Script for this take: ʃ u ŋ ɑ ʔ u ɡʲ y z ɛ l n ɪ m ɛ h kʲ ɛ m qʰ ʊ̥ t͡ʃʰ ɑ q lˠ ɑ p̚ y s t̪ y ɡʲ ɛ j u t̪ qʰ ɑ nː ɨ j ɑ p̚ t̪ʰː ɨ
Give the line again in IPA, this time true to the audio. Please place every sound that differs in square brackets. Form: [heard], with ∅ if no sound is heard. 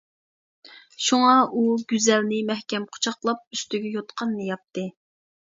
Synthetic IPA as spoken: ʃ u ŋ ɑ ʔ u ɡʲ y z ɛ l n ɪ m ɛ h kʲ ɛ m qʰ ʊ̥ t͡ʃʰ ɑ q lˠ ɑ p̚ y s t̪ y ɡʲ ɛ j [o] t̪ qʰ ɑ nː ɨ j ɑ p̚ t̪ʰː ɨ